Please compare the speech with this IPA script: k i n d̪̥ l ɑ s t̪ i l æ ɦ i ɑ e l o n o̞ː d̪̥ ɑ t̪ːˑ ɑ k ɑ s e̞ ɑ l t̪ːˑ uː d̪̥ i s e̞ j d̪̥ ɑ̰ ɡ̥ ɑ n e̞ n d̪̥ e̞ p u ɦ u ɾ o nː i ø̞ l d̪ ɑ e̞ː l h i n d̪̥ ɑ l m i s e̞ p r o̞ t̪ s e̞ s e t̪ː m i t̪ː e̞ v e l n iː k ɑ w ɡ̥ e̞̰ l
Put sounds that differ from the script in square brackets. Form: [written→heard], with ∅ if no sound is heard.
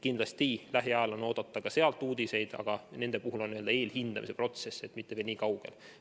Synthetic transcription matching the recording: k i n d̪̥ l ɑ s t̪ i l æ ɦ i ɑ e l o n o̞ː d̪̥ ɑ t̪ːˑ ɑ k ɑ s e̞ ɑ l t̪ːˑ uː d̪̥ i s e̞ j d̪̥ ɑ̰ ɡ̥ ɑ n e̞ n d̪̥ e̞ p u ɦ u [ɾ→l] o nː i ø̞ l d̪ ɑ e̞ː l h i n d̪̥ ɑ [l→∅] m i s e̞ p r o̞ t̪ s e̞ s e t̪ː m i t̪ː e̞ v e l n iː k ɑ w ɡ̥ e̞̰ l